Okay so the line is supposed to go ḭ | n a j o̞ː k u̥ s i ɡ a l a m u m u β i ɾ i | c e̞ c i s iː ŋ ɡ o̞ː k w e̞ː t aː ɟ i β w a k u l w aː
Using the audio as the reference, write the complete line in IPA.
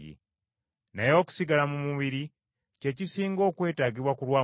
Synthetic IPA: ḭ | n a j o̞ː k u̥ s i ɡ a l a m u m u β i ɾ i | c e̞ c i s iː ŋ ɡ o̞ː k w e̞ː t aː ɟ i β w a k u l w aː